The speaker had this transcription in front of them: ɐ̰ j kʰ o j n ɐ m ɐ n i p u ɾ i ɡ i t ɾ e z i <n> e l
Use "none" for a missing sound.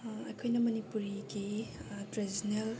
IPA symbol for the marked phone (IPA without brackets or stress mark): n